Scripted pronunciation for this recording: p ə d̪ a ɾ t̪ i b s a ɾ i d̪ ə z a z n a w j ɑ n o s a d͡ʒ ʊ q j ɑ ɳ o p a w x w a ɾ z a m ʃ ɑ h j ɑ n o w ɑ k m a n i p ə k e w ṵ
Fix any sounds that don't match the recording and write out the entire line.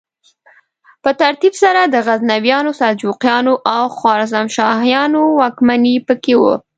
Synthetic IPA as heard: p ə t̪ a ɾ t̪ i b s a ɾ a d̪ ə ɣ a z n a w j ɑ n o s a d͡ʒ u q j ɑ n o ʔ a w x w ɑ ɾ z a m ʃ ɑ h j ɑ n o w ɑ k m a n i p ə k e w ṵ